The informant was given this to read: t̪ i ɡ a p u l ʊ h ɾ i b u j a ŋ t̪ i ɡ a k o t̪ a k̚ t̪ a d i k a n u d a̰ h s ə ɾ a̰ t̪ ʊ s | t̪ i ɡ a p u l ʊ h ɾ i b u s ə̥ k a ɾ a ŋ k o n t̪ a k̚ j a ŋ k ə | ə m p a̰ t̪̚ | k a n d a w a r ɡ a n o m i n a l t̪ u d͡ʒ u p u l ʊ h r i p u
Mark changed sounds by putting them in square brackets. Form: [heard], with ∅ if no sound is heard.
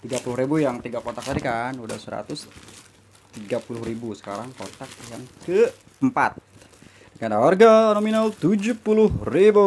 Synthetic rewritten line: t̪ i ɡ a p u l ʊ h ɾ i b u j a ŋ t̪ i ɡ a k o t̪ a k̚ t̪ a d i k a n u d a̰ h s ə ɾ a̰ t̪ ʊ s | t̪ i ɡ a p u l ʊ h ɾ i b u s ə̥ k a ɾ a ŋ k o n t̪ a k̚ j a ŋ k ə | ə m p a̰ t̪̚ | k a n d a w a r ɡ a n o m i n a l t̪ u d͡ʒ u p u l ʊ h r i [b] u